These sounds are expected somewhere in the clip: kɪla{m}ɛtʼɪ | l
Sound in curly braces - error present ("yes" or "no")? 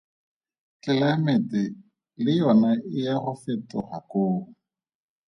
no